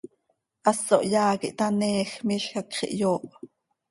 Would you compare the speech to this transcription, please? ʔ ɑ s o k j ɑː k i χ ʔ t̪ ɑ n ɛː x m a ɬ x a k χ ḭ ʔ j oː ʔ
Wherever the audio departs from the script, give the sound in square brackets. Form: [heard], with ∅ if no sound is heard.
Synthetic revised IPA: ʔ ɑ s o [ʔ] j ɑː k i [∅] ʔ t̪ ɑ n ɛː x m [i] ɬ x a k χ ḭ ʔ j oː ʔ